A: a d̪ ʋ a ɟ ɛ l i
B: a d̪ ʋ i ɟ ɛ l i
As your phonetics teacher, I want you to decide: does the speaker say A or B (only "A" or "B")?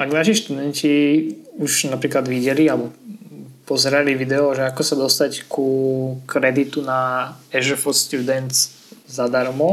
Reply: B